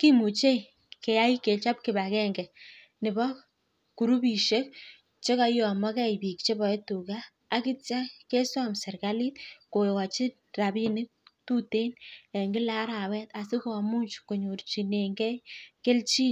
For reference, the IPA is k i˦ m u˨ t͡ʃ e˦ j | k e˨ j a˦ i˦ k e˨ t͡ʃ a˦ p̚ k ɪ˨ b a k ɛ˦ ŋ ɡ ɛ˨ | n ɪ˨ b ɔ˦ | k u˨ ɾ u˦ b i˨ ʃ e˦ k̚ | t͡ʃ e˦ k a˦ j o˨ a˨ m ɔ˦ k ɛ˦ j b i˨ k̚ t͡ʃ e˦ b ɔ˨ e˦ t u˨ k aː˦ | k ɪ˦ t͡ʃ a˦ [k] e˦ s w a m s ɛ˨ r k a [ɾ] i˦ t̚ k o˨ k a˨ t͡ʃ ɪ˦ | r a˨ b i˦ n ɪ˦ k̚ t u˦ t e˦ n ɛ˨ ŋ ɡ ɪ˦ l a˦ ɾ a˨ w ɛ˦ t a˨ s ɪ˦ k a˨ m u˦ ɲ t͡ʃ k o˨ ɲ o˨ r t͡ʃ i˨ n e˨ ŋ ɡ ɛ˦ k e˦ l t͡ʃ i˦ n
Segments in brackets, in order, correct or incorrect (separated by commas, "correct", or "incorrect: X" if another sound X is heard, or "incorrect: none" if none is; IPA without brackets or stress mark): correct, incorrect: l